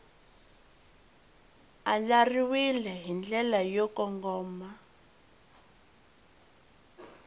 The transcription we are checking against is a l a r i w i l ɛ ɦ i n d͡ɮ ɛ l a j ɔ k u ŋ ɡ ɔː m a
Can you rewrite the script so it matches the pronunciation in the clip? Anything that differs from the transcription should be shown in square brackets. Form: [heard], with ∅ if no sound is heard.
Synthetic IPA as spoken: a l a r i w i l ɛ ɦ i n d͡ɮ ɛ l a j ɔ k [ɔ] ŋ ɡ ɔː m a